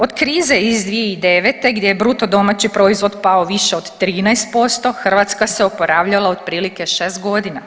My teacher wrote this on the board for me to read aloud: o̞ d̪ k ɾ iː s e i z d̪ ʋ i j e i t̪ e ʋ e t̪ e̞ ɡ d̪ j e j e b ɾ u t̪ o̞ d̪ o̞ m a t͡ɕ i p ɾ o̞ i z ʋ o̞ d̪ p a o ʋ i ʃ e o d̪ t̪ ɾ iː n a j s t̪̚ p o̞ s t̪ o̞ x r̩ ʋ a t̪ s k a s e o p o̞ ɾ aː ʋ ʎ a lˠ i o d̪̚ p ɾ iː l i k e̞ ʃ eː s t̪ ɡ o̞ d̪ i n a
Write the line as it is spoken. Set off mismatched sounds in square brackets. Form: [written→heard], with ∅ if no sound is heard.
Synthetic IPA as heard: o̞ d̪ k ɾ iː [s→z] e i z d̪ ʋ i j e i [t̪→d̪] e ʋ e t̪ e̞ ɡ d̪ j e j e b ɾ u t̪ o̞ d̪ o̞ m a t͡ɕ i p ɾ o̞ i z ʋ o̞ d̪ p a o ʋ i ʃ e o d̪ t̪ ɾ iː n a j s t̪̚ p o̞ s t̪ o̞ x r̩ ʋ a t̪ s k a s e o p o̞ ɾ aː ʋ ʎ a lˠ [i→a] o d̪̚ p ɾ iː l i k e̞ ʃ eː s t̪ ɡ o̞ d̪ i n a